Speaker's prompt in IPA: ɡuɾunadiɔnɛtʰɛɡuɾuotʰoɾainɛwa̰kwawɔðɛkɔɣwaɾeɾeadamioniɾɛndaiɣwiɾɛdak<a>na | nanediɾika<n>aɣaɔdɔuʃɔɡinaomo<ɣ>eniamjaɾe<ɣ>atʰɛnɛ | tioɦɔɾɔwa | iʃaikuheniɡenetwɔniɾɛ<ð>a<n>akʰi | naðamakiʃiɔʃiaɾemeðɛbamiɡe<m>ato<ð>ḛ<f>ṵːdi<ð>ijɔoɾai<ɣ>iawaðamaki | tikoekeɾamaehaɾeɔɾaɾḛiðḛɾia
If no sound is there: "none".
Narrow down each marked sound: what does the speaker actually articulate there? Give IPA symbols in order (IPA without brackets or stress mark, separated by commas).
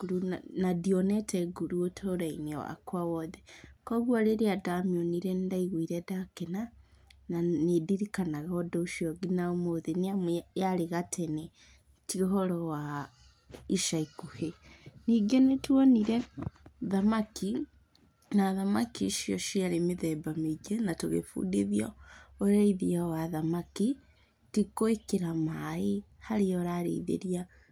e, n, ð, ɣ, ð, m, n, ɣ, f, ð, ð